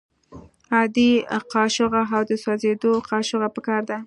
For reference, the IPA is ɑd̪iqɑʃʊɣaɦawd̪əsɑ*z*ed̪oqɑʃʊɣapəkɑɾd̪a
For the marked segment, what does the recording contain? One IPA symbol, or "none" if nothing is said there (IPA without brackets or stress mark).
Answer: z